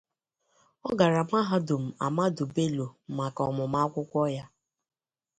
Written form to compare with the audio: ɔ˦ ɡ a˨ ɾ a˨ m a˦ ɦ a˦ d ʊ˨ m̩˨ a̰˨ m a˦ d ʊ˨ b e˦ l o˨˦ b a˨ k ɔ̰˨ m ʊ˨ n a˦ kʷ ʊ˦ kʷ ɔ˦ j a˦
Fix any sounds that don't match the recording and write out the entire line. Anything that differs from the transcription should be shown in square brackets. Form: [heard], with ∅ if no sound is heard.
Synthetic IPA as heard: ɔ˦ ɡ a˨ ɾ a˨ m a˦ ɦ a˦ d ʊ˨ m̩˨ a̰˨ m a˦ d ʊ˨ b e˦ l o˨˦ [m] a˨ k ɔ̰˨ m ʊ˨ [m] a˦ kʷ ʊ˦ kʷ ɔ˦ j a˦